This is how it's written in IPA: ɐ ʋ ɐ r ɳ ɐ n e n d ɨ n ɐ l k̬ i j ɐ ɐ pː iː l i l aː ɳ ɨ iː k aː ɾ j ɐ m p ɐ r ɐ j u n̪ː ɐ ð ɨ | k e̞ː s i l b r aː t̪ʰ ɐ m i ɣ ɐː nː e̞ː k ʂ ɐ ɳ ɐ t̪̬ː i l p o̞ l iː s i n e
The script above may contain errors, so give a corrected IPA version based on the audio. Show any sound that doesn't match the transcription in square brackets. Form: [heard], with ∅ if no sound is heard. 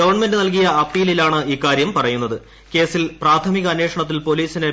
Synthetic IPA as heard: ɐ ʋ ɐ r ɳ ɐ [m] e n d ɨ n ɐ l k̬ i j ɐ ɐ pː iː l i l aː ɳ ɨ iː k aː ɾ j ɐ m p ɐ r ɐ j u n̪ː ɐ ð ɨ | k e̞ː s i l [p] r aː t̪ʰ ɐ m i ɣ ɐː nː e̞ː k ʂ ɐ ɳ ɐ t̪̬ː i l p o̞ l iː s i n e